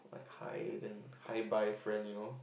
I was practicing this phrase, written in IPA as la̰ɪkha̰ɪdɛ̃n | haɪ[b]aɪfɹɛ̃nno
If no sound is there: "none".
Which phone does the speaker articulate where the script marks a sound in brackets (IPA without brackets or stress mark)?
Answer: b